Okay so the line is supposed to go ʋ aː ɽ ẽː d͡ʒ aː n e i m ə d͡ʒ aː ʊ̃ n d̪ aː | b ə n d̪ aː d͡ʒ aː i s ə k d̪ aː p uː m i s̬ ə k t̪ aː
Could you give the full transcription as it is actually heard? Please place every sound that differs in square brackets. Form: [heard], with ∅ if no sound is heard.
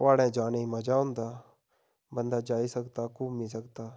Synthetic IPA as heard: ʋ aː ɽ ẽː d͡ʒ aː n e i m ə d͡ʒ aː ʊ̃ n d̪ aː | b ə n d̪ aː d͡ʒ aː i s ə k [t̪] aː [k] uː m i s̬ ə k t̪ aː